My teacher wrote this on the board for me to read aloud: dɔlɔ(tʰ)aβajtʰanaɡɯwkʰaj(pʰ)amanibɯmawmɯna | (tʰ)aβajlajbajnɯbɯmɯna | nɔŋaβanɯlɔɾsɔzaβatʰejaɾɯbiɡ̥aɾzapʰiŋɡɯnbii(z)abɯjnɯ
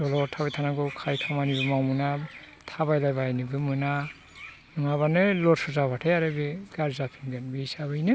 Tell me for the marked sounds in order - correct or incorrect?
correct, incorrect, correct, incorrect

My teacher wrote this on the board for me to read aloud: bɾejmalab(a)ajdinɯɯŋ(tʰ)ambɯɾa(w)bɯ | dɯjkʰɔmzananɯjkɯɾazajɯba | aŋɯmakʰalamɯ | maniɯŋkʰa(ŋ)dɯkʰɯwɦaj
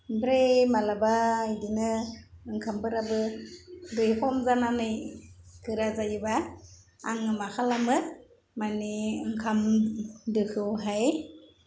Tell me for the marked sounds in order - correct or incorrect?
correct, incorrect, incorrect, incorrect

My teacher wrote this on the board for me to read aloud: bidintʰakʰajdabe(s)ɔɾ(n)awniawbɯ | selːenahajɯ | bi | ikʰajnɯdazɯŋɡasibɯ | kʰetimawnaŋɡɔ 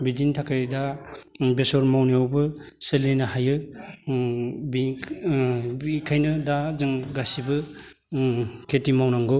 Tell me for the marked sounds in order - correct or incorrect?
correct, incorrect

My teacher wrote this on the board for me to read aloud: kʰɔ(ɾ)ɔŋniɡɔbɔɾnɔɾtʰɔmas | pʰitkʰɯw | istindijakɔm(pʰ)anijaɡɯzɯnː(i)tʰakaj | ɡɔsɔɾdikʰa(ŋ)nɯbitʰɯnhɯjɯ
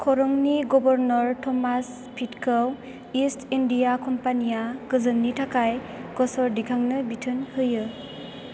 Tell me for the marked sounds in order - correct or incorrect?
correct, incorrect, correct, correct

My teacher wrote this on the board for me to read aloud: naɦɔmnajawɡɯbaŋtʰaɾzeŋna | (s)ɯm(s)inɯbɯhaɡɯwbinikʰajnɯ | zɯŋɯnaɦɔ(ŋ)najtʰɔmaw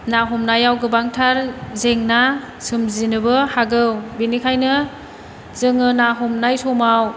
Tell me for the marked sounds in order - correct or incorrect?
correct, incorrect, incorrect

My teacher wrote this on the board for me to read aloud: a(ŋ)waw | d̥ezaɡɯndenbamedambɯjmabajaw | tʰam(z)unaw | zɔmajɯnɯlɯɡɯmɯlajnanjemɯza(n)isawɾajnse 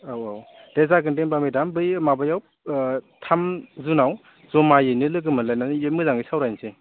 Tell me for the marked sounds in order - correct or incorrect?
incorrect, correct, incorrect

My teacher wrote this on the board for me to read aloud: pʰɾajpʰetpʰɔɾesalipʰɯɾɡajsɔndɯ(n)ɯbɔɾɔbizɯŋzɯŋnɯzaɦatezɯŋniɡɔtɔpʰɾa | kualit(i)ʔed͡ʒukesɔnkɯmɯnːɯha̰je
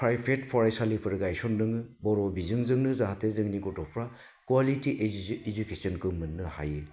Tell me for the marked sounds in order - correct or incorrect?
incorrect, correct

